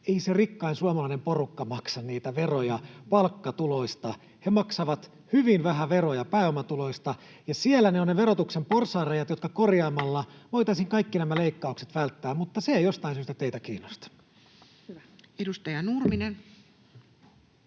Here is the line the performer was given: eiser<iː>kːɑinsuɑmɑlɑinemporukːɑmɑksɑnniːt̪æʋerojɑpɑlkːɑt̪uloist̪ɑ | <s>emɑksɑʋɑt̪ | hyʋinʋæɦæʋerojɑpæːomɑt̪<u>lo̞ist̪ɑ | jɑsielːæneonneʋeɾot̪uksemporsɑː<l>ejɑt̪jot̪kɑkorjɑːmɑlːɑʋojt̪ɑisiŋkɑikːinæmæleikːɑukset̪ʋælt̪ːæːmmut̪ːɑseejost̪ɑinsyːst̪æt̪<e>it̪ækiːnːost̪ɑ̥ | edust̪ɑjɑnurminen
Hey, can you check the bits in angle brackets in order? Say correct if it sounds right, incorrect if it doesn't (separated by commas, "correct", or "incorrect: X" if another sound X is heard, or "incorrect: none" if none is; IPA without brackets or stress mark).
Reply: incorrect: i, incorrect: h, correct, incorrect: r, correct